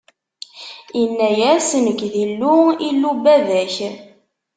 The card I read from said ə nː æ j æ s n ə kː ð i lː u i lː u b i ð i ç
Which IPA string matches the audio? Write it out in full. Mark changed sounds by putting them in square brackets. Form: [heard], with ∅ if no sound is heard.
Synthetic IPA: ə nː æ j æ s n ə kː ð i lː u i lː u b [æ] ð [æ] ç